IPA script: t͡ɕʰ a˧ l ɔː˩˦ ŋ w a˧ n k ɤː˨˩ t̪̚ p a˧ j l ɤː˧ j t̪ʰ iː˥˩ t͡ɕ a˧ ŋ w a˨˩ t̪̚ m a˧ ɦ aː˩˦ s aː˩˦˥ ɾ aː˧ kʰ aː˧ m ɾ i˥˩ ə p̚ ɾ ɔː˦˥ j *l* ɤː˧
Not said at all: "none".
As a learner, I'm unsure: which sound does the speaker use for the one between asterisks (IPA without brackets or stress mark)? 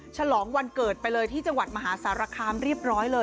l